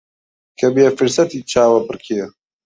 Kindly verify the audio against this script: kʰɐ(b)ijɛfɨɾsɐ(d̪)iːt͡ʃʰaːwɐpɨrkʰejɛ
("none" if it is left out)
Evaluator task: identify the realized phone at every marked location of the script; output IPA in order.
b, t̪

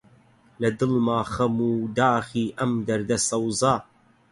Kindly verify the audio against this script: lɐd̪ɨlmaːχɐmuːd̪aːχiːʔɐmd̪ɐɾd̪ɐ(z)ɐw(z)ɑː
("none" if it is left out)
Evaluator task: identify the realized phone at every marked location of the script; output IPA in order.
s, z

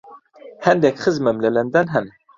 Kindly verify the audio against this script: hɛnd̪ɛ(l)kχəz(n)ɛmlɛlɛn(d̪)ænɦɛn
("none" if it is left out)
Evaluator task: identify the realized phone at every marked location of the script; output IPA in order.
none, m, d̪

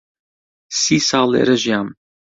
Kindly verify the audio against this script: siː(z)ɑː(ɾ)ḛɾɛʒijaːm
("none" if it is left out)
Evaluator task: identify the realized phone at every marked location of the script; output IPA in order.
s, l

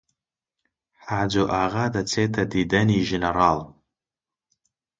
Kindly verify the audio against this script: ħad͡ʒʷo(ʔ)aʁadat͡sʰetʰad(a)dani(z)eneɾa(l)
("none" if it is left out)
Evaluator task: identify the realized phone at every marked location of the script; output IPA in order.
ʔ, i, ʒ, l

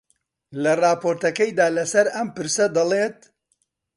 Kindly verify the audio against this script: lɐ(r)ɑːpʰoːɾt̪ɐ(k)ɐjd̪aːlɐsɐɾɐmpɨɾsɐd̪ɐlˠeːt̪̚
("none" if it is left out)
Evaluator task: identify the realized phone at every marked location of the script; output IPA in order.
r, k

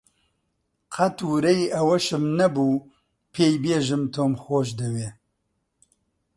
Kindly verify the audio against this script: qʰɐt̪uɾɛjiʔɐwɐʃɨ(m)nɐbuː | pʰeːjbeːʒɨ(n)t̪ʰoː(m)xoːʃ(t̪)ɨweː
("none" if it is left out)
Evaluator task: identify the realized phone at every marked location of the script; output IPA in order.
m, m, m, d̪

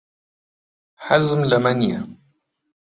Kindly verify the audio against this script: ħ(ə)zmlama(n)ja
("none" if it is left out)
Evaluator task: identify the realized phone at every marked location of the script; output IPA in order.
a, n

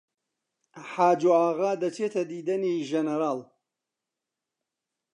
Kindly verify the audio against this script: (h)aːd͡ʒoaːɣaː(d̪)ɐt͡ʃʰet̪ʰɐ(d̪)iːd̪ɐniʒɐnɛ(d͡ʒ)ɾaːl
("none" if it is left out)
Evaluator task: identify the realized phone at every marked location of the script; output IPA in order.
ħ, d̪, d̪, none

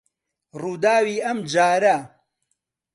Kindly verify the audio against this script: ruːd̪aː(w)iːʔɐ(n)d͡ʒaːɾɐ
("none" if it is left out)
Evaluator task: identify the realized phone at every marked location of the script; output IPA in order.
w, m

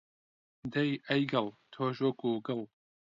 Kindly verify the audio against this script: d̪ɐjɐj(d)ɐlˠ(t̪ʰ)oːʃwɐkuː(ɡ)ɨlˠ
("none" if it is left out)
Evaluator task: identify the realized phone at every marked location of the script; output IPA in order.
ɡ, t̪ʰ, ɡ

